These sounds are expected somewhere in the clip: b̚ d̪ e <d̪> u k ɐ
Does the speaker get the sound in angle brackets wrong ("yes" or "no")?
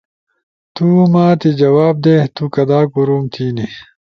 yes